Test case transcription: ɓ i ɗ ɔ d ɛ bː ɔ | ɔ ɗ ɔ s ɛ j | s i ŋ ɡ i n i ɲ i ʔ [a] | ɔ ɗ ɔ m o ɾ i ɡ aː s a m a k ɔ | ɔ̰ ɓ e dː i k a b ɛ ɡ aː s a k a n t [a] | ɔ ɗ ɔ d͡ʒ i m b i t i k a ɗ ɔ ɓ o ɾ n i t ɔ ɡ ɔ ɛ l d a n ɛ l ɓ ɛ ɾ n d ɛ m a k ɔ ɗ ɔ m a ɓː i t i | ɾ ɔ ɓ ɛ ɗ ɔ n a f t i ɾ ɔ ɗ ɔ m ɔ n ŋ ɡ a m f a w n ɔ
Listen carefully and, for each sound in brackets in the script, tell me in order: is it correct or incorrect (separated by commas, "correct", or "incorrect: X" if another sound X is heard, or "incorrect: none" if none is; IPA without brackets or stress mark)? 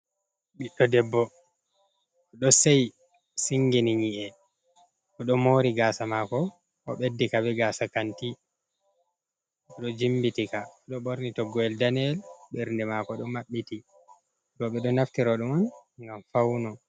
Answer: incorrect: ɛ, incorrect: i